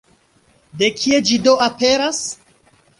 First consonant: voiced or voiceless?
voiced